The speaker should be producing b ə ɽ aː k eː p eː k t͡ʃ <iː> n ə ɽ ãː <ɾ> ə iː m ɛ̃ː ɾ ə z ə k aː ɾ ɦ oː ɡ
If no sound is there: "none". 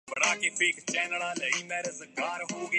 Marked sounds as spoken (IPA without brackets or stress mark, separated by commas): ɛː, l